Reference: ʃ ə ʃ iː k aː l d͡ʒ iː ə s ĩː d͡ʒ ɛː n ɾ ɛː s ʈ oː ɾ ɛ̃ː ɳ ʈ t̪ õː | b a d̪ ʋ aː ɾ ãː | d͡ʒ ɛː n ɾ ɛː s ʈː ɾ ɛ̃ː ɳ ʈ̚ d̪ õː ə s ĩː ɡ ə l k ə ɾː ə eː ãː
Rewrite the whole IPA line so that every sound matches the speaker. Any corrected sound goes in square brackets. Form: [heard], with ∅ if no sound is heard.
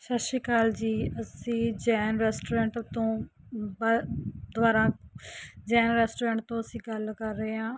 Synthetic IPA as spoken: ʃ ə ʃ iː k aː l d͡ʒ iː ə s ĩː d͡ʒ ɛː n ɾ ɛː s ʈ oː ɾ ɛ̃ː ɳ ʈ t̪ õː | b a d̪ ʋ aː ɾ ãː | d͡ʒ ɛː n ɾ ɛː s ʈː ɾ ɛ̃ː ɳ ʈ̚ [t̪] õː ə s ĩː ɡ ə l k ə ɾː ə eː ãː